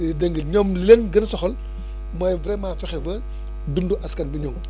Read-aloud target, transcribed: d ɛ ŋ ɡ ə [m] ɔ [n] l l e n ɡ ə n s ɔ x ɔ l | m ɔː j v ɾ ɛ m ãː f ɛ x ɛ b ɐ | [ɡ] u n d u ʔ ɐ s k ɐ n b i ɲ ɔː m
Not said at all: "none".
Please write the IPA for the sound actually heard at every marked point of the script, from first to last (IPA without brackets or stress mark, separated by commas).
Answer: ɲ, m, d